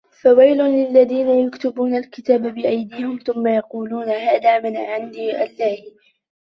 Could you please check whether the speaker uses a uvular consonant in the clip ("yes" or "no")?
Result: yes